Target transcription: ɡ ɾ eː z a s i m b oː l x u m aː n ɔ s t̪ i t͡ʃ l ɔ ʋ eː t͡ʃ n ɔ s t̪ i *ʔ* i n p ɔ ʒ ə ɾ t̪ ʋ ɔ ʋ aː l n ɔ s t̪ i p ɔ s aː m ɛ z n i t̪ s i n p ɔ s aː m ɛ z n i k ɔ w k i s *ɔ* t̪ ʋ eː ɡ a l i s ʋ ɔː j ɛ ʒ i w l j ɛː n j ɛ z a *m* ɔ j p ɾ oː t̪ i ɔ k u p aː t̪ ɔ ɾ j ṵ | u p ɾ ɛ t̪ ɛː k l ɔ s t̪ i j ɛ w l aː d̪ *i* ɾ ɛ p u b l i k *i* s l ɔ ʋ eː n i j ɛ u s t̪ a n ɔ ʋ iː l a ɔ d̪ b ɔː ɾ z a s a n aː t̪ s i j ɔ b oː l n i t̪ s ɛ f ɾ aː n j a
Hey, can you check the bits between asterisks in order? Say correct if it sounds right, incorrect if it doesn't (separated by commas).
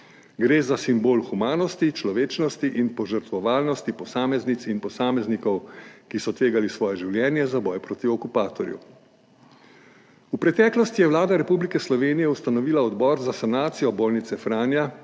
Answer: correct, correct, incorrect, incorrect, incorrect